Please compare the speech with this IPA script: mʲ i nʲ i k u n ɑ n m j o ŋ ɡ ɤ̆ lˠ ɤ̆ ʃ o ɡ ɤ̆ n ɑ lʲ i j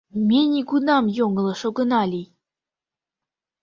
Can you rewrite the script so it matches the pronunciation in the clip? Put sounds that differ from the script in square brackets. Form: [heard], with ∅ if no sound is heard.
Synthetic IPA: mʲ [e] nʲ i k u n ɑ [∅] m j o ŋ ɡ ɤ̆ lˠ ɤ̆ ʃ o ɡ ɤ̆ n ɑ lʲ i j